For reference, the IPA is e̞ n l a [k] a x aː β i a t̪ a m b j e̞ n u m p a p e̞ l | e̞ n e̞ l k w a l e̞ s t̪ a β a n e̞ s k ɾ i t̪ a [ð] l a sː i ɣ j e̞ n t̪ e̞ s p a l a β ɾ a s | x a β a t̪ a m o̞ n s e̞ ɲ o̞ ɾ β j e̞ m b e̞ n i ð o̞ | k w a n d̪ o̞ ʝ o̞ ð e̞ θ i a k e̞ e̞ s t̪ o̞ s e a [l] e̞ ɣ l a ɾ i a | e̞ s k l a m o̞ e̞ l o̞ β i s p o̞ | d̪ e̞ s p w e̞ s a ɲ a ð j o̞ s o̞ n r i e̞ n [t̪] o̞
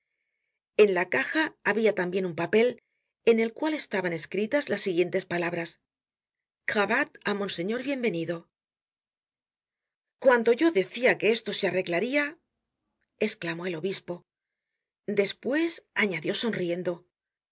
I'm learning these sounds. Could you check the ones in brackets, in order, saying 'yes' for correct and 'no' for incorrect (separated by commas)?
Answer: yes, no, no, no